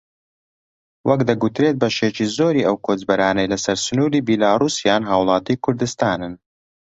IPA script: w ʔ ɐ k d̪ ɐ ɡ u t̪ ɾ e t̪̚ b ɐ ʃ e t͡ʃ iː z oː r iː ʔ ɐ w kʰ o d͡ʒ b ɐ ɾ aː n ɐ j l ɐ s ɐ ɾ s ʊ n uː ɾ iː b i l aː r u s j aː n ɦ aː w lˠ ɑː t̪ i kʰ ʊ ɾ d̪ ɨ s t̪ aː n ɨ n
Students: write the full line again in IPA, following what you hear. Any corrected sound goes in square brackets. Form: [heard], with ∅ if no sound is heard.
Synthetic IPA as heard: w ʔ ɐ k d̪ ɐ ɡ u t̪ ɾ e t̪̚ b ɐ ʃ e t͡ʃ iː z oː [ɾ] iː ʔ ɐ w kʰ o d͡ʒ b ɐ ɾ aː n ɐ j l ɐ s ɐ ɾ s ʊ n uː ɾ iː b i l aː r u s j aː n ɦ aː w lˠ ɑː t̪ i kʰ ʊ ɾ d̪ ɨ s t̪ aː n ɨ n